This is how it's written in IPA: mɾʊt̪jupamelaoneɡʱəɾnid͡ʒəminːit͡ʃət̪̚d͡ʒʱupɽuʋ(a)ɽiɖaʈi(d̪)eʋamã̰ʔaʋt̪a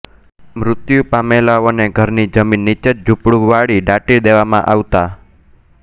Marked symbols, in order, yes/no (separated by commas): yes, yes